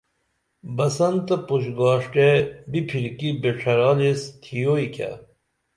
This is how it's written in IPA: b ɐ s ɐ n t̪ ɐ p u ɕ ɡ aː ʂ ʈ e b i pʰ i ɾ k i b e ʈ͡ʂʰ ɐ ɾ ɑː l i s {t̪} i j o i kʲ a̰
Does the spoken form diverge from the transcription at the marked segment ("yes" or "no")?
yes